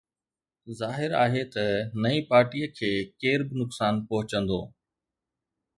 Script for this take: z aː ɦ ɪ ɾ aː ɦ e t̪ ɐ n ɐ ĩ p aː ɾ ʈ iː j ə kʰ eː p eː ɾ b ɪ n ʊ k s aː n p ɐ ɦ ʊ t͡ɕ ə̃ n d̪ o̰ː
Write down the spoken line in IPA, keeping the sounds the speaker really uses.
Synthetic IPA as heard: z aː ɦ ɪ ɾ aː ɦ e t̪ ɐ n ɐ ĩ p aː ɾ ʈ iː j ə kʰ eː k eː ɾ b ɪ n ʊ k s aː n p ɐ ɦ ʊ t͡ɕ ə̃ n d̪ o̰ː